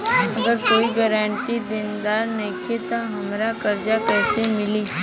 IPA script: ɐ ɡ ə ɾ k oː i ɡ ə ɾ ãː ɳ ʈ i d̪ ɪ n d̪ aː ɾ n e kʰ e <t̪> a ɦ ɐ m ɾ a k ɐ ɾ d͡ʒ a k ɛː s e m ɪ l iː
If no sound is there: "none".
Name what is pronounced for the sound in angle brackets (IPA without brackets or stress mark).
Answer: t̪